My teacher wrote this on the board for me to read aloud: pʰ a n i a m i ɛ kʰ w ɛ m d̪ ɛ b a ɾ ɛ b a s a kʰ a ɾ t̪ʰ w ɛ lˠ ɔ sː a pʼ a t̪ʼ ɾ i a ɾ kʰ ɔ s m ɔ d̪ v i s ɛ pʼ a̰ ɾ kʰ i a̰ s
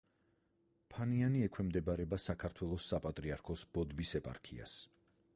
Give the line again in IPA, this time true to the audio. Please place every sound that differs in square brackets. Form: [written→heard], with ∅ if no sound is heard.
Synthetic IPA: pʰ a n i a [m→n] i ɛ kʰ w ɛ m d̪ ɛ b a ɾ ɛ b a s a kʰ a ɾ t̪ʰ w ɛ lˠ ɔ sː a pʼ a t̪ʼ ɾ i a ɾ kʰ ɔ s [m→b] ɔ d̪ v i s ɛ pʼ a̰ ɾ kʰ i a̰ s